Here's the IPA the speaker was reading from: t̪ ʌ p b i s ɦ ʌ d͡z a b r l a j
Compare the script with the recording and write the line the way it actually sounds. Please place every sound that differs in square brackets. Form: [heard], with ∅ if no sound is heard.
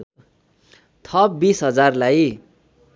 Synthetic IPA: [t̪ʰ] ʌ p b i s ɦ ʌ d͡z a [∅] r l a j